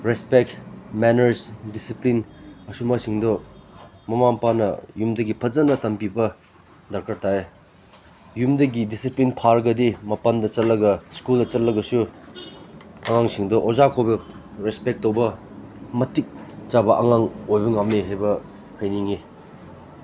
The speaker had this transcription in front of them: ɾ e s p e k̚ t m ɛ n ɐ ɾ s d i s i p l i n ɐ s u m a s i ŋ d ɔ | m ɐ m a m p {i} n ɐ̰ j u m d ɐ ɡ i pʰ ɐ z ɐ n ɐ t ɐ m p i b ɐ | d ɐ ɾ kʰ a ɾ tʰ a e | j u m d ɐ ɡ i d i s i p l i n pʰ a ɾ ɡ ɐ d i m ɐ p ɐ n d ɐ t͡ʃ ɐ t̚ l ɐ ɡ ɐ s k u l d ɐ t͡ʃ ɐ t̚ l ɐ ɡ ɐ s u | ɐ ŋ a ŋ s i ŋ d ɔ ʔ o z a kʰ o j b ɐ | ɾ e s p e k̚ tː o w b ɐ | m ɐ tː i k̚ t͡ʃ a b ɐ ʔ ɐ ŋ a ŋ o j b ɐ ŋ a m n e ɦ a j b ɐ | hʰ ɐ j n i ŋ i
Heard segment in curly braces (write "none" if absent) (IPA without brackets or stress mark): a